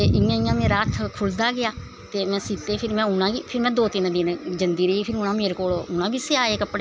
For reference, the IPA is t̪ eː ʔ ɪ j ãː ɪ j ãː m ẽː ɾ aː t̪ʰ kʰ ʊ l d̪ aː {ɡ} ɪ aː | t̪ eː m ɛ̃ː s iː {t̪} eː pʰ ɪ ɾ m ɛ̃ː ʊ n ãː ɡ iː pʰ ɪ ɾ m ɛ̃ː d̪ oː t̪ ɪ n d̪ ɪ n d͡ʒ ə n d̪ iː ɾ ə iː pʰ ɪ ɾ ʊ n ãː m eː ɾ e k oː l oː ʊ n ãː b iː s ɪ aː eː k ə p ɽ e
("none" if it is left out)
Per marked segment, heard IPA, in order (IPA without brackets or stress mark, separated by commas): ɡ, t̪